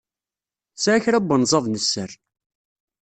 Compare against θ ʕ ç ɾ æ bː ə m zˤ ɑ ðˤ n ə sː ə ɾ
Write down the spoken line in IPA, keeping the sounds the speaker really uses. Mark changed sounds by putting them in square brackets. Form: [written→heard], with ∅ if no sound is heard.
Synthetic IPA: [θ→s] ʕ ç ɾ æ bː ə [m→n] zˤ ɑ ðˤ n ə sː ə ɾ

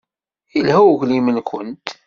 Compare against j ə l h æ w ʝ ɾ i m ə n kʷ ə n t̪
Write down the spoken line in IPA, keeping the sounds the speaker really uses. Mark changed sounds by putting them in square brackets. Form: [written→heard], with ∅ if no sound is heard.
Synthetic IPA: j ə l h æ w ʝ [ɾ→l] i m ə n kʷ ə n t̪

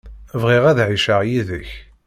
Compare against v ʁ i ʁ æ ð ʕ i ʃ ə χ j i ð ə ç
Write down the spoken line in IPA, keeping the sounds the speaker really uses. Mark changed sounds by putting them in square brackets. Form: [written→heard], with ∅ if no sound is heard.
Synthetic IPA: v ʁ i ʁ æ ð ʕ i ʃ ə [χ→ʁ] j i ð ə ç

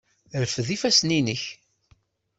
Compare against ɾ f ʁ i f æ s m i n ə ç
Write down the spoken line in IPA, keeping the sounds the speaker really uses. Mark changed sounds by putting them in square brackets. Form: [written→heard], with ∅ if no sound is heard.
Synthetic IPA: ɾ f [ʁ→ð] i f æ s [m→n] i n ə ç

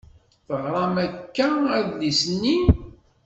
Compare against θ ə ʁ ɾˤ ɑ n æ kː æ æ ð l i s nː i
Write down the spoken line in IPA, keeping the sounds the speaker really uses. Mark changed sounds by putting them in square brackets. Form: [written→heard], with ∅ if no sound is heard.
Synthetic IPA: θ ə ʁ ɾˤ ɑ [n→m] æ kː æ æ ð l i s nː i

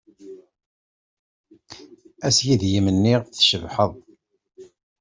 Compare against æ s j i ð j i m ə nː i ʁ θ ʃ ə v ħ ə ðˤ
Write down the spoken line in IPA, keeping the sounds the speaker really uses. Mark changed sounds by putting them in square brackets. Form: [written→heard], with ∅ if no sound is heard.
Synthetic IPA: æ s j i ð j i m ə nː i ʁ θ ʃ ə v ħ ə ðˤ

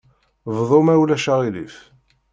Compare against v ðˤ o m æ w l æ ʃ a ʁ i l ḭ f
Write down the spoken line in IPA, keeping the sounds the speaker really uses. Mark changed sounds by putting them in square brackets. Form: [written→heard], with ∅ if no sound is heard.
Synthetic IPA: v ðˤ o m æ w l æ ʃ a ʁ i l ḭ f

